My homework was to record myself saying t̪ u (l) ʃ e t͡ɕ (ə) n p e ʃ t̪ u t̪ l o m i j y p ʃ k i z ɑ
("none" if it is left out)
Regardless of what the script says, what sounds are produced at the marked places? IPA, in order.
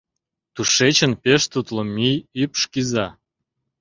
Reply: none, ə

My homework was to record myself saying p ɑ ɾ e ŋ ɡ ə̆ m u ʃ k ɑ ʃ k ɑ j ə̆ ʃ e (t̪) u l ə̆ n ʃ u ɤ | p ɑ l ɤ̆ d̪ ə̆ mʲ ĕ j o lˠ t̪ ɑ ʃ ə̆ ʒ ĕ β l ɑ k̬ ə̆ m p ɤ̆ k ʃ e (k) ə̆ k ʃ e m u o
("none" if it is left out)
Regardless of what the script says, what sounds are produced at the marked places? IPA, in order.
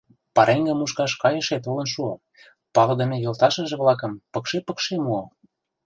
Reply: t̪, p

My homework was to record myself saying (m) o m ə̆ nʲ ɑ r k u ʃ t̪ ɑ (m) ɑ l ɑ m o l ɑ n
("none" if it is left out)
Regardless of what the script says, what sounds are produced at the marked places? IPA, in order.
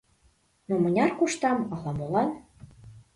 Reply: n, m

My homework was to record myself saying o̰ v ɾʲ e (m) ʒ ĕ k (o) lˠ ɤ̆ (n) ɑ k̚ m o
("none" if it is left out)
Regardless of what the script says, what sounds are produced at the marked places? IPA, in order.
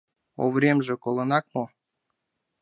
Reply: m, o, n

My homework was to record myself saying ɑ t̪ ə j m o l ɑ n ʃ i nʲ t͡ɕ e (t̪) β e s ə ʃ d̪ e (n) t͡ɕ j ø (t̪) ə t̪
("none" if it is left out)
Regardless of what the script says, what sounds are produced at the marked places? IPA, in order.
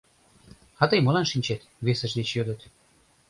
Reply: t̪, none, d̪

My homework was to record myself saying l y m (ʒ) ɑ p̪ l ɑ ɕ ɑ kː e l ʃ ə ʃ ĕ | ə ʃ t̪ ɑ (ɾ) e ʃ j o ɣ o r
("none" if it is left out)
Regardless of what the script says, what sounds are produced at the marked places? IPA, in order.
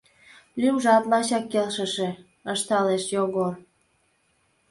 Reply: ʒ, l

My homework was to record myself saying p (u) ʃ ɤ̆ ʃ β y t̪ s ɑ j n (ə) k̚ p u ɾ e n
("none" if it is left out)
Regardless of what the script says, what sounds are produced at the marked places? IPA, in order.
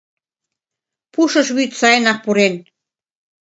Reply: u, ɑ

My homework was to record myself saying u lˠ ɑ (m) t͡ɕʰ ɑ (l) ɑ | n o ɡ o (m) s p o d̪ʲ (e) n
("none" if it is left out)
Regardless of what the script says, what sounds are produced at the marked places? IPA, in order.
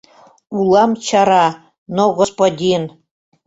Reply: m, ɾ, none, i

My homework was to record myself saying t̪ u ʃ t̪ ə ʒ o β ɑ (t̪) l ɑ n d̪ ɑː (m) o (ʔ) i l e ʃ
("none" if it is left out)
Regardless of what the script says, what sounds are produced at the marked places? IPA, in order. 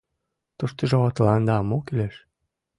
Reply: t̪, m, k

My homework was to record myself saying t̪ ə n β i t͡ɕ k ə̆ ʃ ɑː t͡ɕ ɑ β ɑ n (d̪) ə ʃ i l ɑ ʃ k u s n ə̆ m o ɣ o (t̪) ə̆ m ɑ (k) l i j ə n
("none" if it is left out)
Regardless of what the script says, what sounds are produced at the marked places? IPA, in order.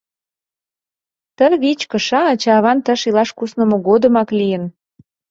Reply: t̪, d̪, k

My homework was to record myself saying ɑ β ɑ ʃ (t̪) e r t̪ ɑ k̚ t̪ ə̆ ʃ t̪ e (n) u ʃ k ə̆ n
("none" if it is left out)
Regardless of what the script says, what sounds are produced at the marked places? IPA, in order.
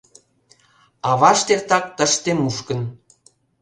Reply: t̪, m

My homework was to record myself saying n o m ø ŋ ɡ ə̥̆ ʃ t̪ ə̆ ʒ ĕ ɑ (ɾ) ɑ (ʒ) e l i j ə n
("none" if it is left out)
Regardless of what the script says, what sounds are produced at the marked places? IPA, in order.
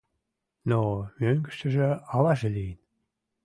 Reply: l, ʒ

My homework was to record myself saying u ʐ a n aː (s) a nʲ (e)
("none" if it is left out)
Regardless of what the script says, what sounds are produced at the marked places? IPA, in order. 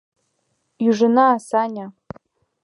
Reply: s, a

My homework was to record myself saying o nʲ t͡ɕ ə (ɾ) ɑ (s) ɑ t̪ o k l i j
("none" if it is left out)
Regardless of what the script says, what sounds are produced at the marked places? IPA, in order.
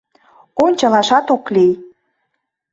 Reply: l, ʃ

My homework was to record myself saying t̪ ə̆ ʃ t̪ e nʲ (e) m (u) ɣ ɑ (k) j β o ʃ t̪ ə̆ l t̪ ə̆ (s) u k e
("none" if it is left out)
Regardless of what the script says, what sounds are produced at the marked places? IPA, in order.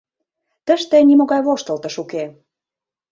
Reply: i, o, none, ʃ

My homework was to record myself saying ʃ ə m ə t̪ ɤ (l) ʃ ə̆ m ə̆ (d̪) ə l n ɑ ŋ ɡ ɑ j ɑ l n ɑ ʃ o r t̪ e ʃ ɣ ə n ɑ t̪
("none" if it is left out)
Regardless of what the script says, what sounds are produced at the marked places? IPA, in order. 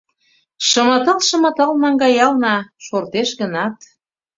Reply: l, t̪

